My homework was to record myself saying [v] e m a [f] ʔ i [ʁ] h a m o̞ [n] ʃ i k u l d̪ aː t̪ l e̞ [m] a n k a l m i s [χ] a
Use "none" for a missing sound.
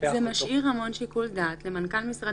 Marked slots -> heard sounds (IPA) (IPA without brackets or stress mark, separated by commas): z, ʃ, ʁ, n, m, ʁ